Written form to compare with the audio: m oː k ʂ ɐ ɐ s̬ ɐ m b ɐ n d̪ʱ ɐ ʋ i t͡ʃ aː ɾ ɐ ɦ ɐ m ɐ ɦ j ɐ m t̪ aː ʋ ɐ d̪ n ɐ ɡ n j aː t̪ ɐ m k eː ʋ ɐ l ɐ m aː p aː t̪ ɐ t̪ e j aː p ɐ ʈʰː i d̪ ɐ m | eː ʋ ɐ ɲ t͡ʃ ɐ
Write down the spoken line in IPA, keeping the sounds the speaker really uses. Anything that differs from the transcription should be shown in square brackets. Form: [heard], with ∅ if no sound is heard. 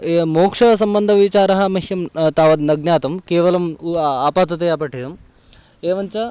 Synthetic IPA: m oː k ʂ ɐ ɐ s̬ ɐ m b ɐ n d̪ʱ ɐ ʋ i t͡ʃ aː ɾ ɐ ɦ ɐ m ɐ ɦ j ɐ m t̪ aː ʋ ɐ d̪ n ɐ ɡ n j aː t̪ ɐ m k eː ʋ ɐ l ɐ m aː p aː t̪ ɐ t̪ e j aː p ɐ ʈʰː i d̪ ɐ m | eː ʋ ɐ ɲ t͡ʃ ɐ